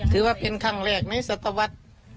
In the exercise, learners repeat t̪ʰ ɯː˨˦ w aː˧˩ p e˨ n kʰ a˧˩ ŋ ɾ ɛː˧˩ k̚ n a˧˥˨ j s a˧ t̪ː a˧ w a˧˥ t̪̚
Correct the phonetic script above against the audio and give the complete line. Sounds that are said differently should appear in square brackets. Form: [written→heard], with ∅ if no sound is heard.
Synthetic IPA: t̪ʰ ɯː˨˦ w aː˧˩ p e˨ n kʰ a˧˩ ŋ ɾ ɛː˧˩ k̚ n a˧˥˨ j s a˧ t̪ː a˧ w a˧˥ t̪̚